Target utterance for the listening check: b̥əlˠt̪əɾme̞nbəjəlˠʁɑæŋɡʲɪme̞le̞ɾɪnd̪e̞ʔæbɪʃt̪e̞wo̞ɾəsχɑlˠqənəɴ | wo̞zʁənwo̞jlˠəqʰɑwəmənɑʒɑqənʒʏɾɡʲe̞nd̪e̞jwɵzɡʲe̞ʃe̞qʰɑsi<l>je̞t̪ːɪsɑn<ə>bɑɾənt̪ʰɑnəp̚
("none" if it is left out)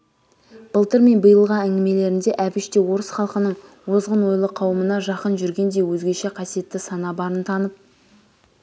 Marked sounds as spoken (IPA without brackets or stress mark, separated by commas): none, ɑ